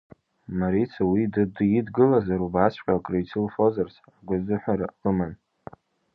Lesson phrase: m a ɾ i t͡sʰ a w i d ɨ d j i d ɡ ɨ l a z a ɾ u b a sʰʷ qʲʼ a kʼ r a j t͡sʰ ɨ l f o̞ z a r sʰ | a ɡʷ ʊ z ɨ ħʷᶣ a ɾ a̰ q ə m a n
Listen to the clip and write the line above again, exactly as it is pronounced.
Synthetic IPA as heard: m a ɾ i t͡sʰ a w i d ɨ d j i d ɡ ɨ l a z a ɾ u b a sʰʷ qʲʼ a kʼ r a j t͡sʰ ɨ l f o̞ z a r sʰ | a ɡʷ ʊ z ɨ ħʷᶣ a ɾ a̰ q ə m a n